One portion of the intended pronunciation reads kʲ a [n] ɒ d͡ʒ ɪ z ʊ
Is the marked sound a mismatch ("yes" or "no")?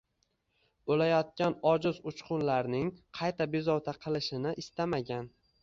no